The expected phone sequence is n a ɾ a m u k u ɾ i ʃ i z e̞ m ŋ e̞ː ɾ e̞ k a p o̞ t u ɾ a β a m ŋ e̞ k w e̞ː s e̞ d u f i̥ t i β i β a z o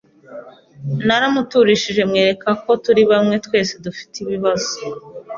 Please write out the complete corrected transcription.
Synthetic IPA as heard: n a ɾ a m u t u ɾ i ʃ i ʒ e̞ m ŋ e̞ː ɾ e̞ k a k o̞ t u ɾ i β a m ŋ e̞ t w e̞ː s e̞ d u f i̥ t i β i β a z o